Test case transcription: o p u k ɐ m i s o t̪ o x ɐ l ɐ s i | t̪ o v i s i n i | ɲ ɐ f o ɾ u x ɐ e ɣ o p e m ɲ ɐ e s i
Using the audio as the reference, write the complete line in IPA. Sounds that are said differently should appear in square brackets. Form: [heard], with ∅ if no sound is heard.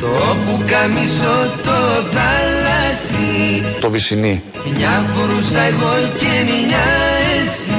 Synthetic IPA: o p u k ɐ m i s o t̪ o [θ] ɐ l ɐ s i | t̪ o v i s i n i | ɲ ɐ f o ɾ u [s] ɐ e ɣ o [c] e m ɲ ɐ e s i